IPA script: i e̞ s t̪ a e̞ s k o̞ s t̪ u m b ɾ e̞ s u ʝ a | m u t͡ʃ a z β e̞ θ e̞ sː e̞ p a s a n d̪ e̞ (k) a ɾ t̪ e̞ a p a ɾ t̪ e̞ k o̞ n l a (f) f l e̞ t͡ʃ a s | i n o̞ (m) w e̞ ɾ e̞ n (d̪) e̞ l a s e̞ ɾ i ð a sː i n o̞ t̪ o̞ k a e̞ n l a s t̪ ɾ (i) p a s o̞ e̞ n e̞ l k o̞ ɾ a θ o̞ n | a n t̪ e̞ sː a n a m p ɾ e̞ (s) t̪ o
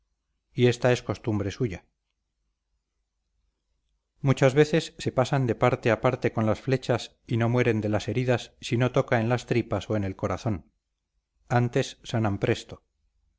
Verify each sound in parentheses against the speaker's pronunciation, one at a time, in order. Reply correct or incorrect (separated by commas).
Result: incorrect, incorrect, correct, correct, correct, correct